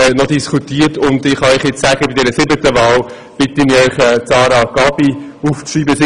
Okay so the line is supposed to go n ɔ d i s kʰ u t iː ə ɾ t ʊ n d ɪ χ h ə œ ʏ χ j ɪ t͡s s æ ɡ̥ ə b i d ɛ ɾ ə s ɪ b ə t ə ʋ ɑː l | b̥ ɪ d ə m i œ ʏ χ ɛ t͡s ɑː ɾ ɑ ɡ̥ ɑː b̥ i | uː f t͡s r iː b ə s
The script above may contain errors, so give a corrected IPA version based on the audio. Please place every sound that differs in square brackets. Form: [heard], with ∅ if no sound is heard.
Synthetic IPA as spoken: n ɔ d i s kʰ u t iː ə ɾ t ʊ n d ɪ χ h [ɑ] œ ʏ χ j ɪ t͡s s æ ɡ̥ ə b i d ɛ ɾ ə s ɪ b ə t ə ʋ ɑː l | b̥ ɪ [t] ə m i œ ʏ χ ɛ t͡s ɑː ɾ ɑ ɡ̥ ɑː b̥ i | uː f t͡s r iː b ə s